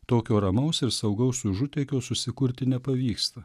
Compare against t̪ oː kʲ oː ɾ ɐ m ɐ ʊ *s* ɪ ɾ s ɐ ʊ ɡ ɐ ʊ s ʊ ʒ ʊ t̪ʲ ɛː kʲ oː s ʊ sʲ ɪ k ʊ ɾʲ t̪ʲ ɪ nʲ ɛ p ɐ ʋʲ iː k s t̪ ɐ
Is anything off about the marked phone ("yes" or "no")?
no